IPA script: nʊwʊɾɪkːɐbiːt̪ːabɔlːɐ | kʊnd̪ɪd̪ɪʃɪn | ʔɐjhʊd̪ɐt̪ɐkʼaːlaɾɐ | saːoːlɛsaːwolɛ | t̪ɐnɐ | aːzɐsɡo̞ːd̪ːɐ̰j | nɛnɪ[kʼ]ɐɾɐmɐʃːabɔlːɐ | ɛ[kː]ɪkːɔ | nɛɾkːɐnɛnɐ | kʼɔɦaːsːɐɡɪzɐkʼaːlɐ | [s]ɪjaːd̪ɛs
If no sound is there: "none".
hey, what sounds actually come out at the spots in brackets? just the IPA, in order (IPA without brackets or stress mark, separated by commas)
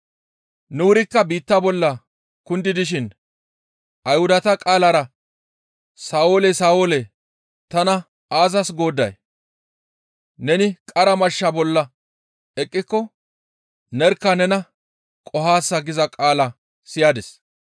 kʼ, kʼː, s